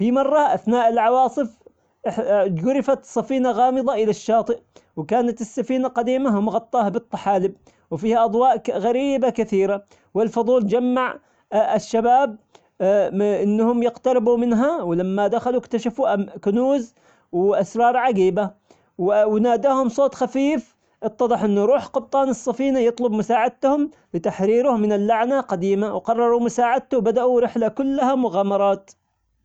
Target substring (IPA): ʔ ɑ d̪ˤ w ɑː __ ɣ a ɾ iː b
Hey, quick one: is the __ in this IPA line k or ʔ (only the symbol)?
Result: ʔ